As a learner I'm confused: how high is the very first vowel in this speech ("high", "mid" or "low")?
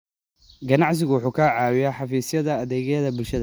low